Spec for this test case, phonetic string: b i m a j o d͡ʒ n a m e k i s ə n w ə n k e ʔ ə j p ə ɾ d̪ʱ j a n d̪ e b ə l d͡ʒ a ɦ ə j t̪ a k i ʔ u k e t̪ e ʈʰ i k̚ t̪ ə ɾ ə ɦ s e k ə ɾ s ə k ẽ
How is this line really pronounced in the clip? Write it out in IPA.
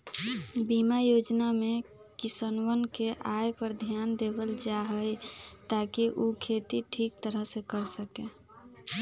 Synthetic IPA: b i m a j o d͡ʒ n a m e k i s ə n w ə n k e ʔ a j p ə ɾ d̪ʱ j a n d̪ e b ə l d͡ʒ a ɦ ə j t̪ a k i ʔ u kʰ e t̪ i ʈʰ i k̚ t̪ ə ɾ ə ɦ s e k ə ɾ s ə k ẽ